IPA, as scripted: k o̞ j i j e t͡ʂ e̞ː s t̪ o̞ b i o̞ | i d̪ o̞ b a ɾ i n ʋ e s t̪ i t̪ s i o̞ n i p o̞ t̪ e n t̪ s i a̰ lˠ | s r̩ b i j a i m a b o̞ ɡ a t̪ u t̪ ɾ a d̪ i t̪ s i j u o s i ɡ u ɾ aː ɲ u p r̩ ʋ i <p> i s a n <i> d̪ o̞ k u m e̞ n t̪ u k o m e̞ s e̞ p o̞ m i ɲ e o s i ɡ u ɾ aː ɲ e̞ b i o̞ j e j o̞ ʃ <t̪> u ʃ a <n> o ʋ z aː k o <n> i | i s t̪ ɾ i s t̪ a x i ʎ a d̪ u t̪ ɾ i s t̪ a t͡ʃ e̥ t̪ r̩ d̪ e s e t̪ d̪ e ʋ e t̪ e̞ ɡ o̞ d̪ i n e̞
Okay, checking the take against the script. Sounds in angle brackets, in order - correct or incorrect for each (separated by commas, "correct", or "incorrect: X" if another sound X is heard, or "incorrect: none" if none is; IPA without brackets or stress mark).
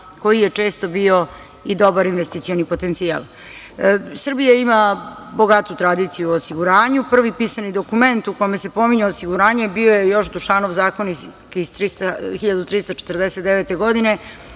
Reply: correct, correct, incorrect: d̪, correct, correct